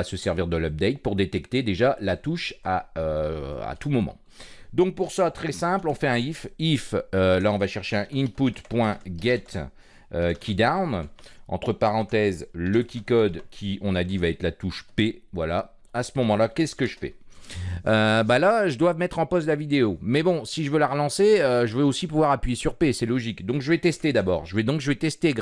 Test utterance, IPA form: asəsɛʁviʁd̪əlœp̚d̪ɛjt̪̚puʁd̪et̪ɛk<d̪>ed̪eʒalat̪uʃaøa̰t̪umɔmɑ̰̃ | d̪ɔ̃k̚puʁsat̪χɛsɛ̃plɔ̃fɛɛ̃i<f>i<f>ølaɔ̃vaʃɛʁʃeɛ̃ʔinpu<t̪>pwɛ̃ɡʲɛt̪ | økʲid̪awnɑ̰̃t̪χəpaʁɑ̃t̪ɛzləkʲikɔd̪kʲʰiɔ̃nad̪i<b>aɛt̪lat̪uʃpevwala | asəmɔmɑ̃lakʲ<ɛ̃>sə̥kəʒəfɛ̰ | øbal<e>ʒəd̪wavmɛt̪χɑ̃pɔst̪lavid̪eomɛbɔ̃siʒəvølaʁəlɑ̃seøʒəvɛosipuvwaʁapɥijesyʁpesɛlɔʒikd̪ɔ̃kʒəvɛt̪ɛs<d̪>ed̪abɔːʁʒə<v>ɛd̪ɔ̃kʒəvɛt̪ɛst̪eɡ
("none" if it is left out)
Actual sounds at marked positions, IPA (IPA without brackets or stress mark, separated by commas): t̪, f, f, t̪, v, ɛ, a, t̪, v